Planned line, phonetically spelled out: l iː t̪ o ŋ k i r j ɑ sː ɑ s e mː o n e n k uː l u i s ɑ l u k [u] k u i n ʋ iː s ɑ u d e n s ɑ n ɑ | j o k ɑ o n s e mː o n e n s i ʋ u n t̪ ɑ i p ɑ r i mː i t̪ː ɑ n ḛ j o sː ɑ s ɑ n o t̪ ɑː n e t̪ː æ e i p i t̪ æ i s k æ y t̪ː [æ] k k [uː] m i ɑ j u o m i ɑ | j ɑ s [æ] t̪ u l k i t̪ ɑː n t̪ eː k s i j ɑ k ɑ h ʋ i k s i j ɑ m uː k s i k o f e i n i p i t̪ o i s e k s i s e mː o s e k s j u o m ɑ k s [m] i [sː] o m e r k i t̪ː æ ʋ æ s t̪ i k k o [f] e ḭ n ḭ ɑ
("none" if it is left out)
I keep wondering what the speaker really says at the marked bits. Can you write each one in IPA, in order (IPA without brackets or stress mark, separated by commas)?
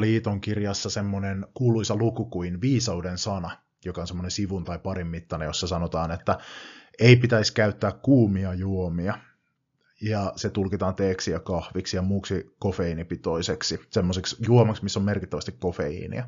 u, æː, uː, e, m, sː, f